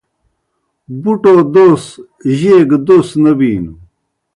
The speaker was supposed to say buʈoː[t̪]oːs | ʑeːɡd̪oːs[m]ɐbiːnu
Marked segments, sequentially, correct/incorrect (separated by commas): incorrect, incorrect